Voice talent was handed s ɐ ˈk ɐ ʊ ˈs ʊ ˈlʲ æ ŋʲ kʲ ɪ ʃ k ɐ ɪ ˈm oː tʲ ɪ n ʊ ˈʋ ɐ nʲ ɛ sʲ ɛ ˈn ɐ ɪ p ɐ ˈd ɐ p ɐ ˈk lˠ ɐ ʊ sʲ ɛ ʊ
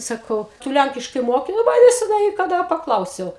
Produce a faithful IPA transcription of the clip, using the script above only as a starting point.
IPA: s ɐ ˈk ɐ ʊ ˈt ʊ ˈlʲ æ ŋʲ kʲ ɪ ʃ k ɐ ɪ ˈm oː kʲ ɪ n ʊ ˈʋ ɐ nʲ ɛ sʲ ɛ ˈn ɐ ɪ k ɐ ˈd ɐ p ɐ ˈk lˠ ɐ ʊ sʲ ɛ ʊ